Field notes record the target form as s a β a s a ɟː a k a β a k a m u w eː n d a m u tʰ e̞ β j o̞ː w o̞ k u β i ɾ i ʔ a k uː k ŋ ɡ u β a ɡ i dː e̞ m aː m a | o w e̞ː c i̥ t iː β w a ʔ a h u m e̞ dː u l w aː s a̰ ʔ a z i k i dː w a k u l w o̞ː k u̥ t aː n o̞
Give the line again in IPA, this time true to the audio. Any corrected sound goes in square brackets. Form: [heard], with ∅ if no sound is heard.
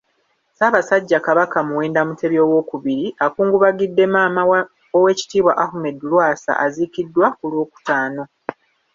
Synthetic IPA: s a β a s a ɟː a k a β a k a m u w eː n d a m u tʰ e̞ β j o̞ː w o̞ k u β i ɾ i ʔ a k uː [∅] ŋ ɡ u β a ɡ i dː e̞ m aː m a | o w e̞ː c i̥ t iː β w a ʔ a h u m e̞ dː u l w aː s a̰ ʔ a z i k i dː w a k u l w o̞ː k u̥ t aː n o̞